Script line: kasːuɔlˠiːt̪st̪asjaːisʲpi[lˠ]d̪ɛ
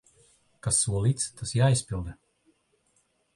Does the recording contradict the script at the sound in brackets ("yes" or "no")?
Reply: no